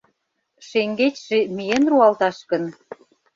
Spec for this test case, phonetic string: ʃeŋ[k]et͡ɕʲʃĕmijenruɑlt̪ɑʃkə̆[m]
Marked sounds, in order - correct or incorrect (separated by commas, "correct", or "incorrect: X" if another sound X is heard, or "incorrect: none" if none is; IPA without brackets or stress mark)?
incorrect: ɡ, incorrect: n